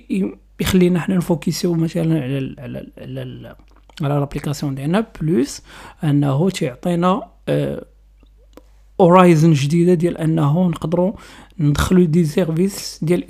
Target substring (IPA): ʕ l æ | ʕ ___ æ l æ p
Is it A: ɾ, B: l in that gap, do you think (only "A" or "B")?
B